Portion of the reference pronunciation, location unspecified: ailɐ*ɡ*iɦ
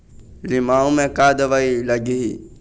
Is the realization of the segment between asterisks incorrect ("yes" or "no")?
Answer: no